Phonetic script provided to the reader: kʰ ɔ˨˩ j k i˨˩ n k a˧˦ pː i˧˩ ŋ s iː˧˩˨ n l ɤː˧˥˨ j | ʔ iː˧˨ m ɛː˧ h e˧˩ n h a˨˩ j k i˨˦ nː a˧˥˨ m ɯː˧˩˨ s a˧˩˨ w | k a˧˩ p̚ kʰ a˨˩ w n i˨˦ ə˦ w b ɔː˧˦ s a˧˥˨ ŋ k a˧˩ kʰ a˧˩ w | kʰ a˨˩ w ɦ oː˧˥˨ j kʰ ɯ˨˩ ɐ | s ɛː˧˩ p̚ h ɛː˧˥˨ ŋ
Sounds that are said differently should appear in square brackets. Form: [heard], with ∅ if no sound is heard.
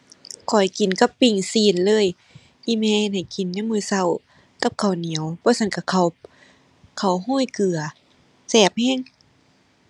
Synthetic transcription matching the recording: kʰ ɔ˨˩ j k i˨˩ n k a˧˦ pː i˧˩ ŋ s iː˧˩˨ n l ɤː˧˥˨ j | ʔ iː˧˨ m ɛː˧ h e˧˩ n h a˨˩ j k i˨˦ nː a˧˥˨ m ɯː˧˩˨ s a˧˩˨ w | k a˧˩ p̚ kʰ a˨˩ w n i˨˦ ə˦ w b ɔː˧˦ s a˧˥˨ [n] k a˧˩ kʰ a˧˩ w | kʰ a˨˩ w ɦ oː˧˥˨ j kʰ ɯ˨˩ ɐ | s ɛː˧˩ p̚ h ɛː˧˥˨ ŋ